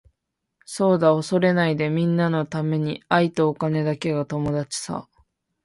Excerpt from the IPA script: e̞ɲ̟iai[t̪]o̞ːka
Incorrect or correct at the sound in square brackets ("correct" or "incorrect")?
correct